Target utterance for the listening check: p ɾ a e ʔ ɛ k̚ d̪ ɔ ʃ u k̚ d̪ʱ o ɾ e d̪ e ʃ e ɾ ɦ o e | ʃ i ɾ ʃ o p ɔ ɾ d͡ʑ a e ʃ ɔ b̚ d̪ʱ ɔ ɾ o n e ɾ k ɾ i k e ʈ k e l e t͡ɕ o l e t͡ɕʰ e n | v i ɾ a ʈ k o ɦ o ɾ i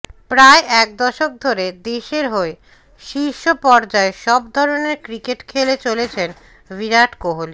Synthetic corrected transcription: p ɾ a e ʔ ɛ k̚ d̪ ɔ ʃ o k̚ d̪ʱ o ɾ e d̪ e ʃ e ɾ ɦ o e | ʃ i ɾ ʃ o p ɔ ɾ d͡ʑ a e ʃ ɔ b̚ d̪ʱ ɔ ɾ o n e ɾ k ɾ i k e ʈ kʰ e l e t͡ɕ o l e t͡ɕʰ e n | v i ɾ a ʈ k o ɦ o l i